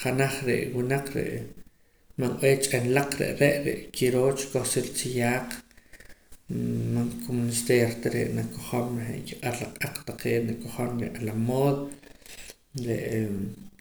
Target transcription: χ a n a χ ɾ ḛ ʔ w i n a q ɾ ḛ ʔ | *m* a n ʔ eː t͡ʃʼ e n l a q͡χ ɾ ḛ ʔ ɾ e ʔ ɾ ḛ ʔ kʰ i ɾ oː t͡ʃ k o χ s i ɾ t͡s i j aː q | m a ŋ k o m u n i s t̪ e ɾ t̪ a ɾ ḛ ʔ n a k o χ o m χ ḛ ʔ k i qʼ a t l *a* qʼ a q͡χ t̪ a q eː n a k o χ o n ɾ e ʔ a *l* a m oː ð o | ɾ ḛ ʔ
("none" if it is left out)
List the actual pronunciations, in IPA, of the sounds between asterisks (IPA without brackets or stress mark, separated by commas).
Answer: m, a, l